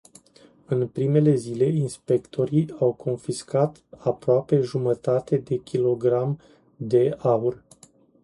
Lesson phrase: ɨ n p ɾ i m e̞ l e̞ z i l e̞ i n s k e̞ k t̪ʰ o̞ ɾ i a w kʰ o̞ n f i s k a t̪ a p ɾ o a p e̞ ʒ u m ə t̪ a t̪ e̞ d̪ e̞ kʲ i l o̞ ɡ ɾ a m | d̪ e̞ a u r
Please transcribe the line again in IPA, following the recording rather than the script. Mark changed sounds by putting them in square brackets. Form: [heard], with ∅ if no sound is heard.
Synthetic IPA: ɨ n p ɾ i m e̞ l e̞ z i l e̞ i n s [p] e̞ k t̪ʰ o̞ ɾ i a w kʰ o̞ n f i s k a t̪ a p ɾ o a p e̞ ʒ u m ə t̪ a t̪ e̞ d̪ e̞ kʲ i l o̞ ɡ ɾ a m | d̪ e̞ a u r